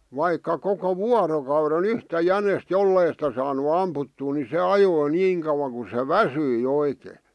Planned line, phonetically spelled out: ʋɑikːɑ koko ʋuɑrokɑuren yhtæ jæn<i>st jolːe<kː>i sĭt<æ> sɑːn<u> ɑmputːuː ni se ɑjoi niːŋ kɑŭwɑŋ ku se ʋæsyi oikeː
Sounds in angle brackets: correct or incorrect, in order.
incorrect: e, incorrect: none, correct, correct

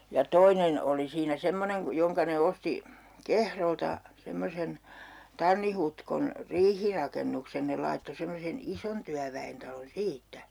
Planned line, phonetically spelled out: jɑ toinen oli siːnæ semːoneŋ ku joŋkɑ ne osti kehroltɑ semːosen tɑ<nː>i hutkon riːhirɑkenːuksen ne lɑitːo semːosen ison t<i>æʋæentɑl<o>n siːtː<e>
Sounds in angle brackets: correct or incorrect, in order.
correct, incorrect: y, correct, incorrect: æ

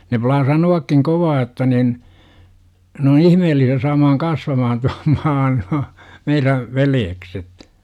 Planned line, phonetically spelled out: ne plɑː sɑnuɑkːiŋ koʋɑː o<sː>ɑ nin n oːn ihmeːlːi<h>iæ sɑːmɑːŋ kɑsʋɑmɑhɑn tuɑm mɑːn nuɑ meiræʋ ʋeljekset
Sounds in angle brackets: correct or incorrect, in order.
incorrect: tː, incorrect: s

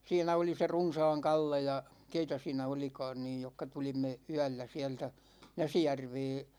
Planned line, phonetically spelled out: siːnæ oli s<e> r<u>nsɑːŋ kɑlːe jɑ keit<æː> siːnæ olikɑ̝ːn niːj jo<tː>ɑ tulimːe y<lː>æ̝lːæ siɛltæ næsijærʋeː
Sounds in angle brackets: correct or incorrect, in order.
correct, correct, incorrect: æ, incorrect: kː, incorrect: none

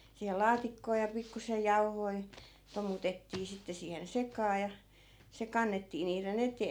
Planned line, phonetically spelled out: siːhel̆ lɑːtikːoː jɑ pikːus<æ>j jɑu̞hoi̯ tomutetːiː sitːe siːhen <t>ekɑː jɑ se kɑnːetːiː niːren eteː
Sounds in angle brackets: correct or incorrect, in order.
incorrect: e, incorrect: s

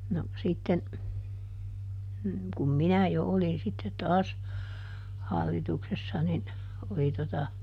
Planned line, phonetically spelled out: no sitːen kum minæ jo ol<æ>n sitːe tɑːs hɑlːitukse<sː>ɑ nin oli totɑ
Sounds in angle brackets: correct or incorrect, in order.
incorrect: i, correct

